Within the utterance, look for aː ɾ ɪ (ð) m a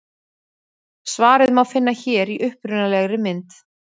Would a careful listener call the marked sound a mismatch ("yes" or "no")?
no